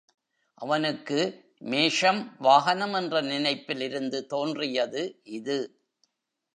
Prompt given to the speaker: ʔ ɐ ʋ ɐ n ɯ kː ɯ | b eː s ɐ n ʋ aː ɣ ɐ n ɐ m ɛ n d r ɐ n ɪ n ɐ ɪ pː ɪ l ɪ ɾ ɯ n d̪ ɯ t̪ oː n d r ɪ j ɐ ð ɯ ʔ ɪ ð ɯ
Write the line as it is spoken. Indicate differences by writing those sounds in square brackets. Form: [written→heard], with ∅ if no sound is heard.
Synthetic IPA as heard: ʔ ɐ ʋ ɐ n ɯ kː ɯ | [b→m] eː [s→ʂ] ɐ [n→m] ʋ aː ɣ ɐ n ɐ m ɛ n d r ɐ n ɪ n ɐ ɪ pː ɪ l ɪ ɾ ɯ n d̪ ɯ t̪ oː n d r ɪ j ɐ ð ɯ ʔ ɪ ð ɯ